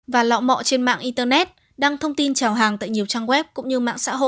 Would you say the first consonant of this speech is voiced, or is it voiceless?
voiced